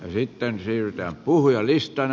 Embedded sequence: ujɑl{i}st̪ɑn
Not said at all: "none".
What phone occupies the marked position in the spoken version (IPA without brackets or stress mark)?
i